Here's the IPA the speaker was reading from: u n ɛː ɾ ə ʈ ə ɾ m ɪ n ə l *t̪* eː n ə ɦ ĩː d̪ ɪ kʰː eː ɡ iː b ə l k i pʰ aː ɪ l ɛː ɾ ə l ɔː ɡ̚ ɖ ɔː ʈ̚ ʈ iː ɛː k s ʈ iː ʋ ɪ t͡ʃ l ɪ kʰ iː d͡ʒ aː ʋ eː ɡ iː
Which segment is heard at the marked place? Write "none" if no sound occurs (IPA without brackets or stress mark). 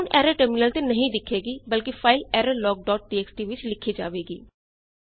t̪